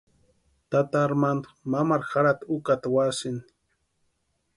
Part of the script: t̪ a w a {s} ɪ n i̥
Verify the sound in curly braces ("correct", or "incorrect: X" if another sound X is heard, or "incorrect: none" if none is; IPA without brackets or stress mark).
correct